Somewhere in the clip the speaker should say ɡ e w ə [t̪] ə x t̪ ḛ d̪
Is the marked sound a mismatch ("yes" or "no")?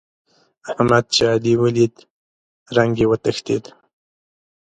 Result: no